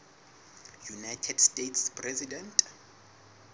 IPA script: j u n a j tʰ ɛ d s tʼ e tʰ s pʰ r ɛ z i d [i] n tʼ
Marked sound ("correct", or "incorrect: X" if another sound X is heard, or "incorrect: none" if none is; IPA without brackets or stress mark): incorrect: ɛ